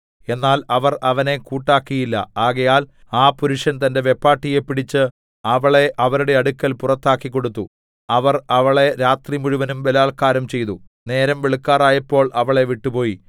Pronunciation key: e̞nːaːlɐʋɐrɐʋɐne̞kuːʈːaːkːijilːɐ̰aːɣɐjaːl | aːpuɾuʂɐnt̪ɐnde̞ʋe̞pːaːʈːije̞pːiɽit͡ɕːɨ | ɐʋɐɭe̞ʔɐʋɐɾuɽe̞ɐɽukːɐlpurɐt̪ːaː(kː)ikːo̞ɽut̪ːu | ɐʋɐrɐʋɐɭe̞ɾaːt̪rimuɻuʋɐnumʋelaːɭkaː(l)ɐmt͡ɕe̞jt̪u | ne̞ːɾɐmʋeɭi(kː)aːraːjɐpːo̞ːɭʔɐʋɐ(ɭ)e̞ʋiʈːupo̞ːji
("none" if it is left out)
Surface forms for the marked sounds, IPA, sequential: kː, ɾ, kː, ɭ

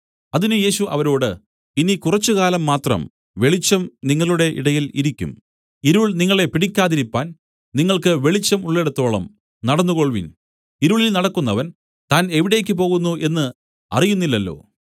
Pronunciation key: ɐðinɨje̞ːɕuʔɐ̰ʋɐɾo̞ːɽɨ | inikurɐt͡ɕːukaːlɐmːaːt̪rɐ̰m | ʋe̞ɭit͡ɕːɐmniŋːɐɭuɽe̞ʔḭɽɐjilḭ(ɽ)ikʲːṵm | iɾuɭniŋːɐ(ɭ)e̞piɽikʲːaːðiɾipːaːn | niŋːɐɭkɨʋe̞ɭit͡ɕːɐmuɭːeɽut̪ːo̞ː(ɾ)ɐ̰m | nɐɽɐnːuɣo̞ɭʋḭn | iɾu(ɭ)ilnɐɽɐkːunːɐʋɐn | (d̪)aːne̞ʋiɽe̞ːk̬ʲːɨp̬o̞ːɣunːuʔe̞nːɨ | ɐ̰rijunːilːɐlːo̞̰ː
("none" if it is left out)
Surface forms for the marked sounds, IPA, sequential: ɾ, ɭ, ɭ, ɭ, t̪

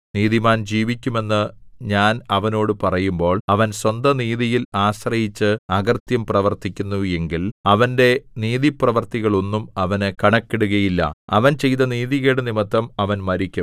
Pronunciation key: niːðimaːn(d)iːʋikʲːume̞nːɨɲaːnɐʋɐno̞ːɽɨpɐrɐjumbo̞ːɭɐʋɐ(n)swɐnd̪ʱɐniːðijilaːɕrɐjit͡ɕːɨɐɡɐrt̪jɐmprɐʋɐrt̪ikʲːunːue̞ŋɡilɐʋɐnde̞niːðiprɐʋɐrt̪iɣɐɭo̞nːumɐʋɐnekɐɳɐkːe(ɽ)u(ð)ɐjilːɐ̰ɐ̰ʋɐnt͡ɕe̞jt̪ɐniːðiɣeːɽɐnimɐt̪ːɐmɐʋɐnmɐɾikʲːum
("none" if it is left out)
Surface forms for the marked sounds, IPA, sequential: d͡ʑ, n, ɽ, ɣ

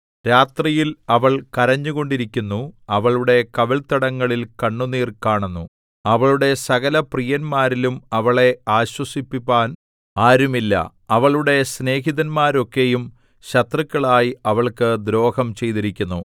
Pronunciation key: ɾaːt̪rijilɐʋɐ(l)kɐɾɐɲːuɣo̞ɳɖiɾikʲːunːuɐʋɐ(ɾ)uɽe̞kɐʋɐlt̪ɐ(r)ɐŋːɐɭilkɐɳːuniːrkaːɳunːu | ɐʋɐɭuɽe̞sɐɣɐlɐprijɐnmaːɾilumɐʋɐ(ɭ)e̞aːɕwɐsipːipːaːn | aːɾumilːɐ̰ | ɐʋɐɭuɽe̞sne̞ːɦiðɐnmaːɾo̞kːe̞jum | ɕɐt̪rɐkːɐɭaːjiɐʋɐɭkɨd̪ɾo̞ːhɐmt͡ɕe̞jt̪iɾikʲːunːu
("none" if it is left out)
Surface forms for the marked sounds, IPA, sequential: ɭ, ɭ, ɽ, ɭ

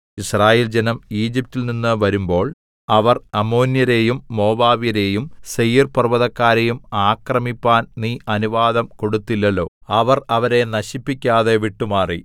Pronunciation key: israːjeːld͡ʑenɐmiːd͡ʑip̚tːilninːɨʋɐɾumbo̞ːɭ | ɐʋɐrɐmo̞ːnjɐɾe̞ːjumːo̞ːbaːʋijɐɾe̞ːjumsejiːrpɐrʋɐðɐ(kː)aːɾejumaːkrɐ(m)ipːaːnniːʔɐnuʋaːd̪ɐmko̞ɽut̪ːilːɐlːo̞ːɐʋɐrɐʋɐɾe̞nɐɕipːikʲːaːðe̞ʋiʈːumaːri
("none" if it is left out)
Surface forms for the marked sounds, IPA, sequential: kː, m

